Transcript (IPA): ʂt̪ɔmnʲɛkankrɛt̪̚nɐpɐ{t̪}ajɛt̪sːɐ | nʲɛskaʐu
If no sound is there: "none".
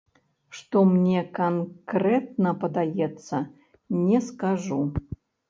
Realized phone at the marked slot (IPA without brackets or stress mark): d̪